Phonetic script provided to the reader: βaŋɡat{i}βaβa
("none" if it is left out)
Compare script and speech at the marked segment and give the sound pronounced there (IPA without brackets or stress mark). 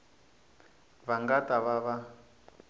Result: a